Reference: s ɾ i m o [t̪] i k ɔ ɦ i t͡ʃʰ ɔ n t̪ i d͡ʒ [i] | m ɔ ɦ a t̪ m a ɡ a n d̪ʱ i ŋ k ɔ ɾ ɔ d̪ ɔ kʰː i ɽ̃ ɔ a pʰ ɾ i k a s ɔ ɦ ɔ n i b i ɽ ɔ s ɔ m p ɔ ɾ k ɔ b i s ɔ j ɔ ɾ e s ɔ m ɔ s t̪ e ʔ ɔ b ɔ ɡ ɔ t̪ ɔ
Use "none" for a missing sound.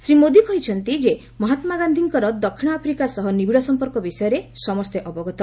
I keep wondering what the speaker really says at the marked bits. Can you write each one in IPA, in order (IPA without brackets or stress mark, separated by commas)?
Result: d̪, e